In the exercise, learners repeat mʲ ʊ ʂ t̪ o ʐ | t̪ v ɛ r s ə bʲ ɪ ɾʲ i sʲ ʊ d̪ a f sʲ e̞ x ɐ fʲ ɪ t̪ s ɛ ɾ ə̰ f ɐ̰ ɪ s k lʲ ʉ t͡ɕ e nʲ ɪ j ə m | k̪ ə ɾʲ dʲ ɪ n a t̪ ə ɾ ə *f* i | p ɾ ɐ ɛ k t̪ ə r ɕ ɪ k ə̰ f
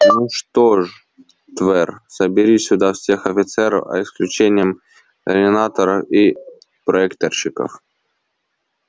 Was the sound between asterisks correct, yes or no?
yes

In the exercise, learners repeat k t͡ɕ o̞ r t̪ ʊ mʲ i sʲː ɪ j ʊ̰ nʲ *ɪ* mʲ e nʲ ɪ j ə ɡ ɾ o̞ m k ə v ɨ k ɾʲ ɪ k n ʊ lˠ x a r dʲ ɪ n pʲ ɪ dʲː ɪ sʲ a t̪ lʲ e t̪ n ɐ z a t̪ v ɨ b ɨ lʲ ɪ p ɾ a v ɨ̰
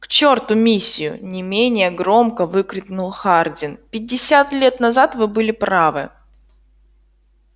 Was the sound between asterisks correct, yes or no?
yes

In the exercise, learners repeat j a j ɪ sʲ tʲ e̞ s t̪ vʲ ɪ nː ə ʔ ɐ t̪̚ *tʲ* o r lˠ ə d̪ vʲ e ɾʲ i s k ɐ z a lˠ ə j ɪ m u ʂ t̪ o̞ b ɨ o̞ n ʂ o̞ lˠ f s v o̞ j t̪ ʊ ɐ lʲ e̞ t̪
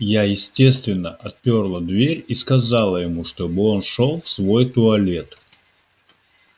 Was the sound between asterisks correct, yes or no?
no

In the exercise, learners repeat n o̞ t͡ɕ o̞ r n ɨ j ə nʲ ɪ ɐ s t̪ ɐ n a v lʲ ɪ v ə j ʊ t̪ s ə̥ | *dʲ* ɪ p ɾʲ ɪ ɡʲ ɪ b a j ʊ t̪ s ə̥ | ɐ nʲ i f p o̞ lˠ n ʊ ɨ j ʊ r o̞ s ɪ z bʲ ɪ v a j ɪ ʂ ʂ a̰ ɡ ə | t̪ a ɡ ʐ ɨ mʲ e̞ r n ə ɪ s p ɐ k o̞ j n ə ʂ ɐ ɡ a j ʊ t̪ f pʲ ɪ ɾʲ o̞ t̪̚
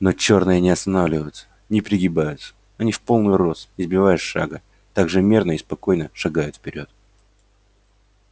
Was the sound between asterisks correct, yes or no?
no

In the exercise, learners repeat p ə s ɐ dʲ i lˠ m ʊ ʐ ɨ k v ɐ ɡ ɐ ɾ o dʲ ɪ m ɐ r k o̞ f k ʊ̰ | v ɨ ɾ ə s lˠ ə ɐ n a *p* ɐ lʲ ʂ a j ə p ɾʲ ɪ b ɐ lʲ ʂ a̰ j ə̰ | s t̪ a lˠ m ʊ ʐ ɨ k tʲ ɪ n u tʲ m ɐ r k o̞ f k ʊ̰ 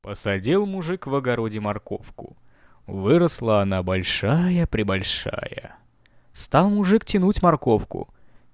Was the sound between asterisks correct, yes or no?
no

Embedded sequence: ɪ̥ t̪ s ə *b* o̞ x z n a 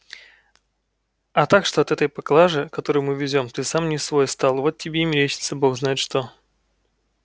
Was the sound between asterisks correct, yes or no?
yes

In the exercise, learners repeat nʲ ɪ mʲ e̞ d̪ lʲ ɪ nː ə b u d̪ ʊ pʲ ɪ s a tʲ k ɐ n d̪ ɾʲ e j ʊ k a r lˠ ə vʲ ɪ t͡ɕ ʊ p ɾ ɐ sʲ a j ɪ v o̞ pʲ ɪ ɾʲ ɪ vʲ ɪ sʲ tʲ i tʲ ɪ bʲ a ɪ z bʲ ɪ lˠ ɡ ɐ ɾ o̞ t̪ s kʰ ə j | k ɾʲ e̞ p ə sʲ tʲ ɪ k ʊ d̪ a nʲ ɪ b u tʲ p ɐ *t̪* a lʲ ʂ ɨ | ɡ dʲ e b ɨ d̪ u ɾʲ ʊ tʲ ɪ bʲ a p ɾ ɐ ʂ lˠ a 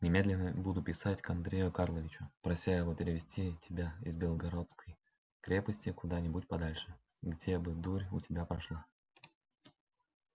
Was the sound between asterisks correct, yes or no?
no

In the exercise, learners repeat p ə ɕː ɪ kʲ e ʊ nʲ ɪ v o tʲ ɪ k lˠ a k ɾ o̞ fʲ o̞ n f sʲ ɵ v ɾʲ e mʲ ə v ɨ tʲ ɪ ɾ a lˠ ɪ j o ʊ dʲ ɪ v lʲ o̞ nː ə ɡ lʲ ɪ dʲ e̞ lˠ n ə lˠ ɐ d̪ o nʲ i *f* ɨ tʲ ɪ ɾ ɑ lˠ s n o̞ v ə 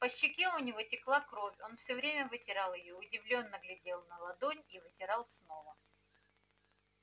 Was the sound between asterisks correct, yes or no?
no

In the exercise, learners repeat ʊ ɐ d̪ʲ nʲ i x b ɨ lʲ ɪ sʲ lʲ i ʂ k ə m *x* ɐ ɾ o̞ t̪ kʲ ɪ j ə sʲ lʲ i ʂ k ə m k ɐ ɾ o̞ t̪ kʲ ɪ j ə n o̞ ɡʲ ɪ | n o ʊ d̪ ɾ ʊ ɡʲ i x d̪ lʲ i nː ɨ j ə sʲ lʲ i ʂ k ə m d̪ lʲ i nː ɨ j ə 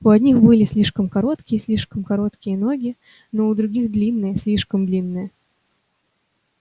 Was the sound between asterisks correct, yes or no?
no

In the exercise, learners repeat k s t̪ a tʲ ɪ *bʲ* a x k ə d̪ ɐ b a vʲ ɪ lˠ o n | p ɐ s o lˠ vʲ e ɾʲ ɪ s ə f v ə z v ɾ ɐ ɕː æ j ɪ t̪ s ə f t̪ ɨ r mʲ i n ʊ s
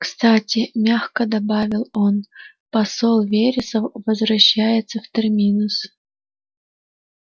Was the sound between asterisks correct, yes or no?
no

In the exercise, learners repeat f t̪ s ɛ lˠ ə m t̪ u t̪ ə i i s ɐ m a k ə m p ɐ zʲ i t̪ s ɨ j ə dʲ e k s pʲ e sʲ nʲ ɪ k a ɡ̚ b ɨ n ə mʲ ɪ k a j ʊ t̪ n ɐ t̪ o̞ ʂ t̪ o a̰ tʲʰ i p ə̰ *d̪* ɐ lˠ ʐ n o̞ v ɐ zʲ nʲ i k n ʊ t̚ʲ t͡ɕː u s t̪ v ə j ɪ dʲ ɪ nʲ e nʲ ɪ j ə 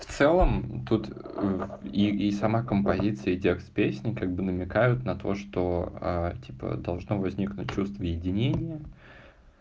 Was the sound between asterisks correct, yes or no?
yes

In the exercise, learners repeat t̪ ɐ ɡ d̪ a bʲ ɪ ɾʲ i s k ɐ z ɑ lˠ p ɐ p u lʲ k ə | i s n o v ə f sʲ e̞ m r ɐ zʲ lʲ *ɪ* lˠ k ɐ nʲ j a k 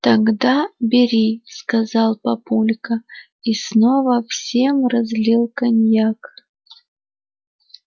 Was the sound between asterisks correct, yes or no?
no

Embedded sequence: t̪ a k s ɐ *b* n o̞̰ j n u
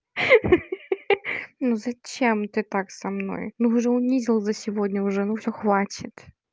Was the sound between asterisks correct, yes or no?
no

